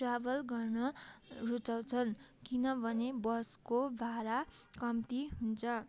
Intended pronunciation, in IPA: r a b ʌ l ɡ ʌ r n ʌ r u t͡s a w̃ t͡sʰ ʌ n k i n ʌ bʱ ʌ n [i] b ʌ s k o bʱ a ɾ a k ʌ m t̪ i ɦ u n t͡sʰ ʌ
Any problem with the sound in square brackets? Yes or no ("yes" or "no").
yes